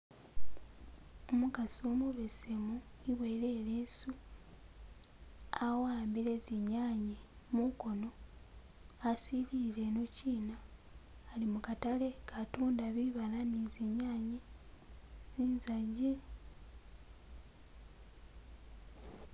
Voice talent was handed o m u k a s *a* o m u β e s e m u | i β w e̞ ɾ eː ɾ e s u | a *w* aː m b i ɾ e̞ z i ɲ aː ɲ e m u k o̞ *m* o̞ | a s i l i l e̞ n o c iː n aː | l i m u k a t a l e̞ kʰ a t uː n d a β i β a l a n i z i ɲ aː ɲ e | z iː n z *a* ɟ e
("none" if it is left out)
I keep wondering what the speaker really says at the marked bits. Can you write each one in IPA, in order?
i, w, n, a

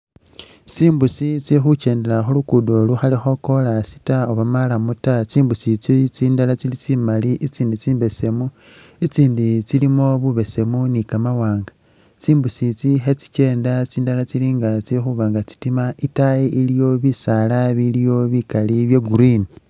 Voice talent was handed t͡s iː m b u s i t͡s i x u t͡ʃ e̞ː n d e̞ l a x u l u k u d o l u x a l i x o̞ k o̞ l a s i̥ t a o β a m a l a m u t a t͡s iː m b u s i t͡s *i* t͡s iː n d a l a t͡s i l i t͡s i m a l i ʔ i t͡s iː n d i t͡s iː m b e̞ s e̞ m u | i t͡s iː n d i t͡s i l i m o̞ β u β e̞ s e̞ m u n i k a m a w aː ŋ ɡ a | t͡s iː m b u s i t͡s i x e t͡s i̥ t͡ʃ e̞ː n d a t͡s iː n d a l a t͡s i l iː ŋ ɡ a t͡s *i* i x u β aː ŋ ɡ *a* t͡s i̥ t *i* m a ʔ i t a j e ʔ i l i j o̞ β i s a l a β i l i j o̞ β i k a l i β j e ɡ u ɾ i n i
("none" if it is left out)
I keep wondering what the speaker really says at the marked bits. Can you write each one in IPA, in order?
i, i, a, i

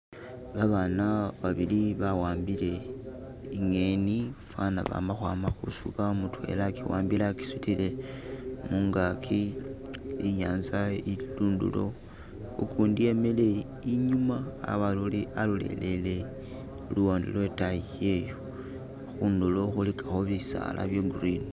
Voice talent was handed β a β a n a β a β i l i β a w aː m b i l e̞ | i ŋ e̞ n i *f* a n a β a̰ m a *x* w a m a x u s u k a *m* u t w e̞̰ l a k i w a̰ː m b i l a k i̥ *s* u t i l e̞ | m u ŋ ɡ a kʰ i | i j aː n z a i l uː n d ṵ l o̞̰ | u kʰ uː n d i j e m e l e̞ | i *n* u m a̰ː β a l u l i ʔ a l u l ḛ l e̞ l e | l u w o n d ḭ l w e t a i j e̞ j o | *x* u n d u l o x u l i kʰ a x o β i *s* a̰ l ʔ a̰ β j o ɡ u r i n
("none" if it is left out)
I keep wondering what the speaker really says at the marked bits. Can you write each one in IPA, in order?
f, x, m, s, ɲ, x, s

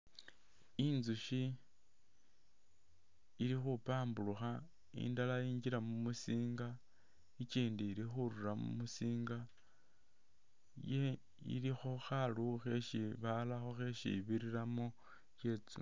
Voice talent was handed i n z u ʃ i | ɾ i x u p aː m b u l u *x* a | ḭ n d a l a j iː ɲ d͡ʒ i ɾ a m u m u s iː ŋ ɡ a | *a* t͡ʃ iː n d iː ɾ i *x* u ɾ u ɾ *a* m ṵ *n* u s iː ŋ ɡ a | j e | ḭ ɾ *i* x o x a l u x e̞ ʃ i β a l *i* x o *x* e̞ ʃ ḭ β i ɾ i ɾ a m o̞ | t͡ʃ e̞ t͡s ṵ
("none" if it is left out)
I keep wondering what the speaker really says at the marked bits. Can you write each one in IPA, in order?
x, i, x, a, m, i, a, x

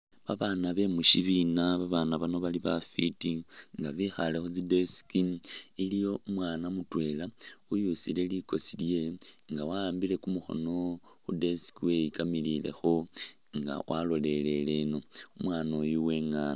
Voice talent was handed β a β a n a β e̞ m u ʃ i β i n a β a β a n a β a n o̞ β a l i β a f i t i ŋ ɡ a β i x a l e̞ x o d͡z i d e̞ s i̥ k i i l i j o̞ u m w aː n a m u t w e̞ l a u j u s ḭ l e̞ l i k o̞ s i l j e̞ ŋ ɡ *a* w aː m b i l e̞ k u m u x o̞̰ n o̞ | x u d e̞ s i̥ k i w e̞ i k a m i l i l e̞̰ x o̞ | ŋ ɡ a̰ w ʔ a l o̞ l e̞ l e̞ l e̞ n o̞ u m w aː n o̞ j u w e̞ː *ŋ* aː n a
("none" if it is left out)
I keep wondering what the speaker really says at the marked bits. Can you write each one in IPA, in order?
a, ŋ

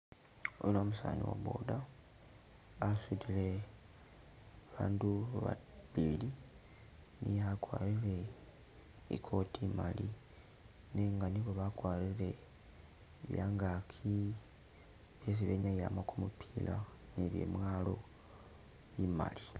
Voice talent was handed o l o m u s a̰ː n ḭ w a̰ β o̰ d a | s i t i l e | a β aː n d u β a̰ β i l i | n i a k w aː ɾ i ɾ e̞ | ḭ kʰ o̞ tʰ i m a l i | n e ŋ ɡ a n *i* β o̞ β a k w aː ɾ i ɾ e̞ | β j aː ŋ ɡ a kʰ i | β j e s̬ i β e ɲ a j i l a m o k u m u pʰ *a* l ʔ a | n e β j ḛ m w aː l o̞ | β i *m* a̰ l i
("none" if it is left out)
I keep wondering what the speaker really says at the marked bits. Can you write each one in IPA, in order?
i, i, m

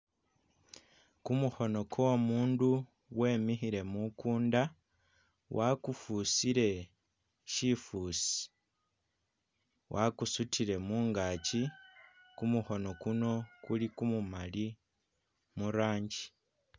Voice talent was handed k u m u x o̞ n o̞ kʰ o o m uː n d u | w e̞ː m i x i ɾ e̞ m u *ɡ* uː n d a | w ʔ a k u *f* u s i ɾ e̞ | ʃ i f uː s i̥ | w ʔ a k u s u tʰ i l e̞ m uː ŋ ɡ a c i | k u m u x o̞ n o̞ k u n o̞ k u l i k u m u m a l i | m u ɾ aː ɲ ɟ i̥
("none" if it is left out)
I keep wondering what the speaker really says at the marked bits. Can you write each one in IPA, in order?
k, f

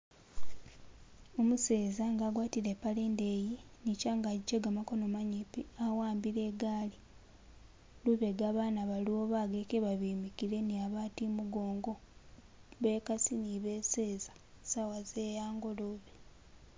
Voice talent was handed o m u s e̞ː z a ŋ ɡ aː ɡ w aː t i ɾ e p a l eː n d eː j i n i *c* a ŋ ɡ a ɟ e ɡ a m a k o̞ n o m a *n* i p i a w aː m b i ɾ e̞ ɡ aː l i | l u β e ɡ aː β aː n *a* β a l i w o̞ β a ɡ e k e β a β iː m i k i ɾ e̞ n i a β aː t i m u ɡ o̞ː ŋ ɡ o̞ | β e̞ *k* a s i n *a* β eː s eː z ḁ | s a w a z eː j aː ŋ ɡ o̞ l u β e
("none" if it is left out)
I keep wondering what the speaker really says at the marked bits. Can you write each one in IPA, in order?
c, ɲ, a, k, i

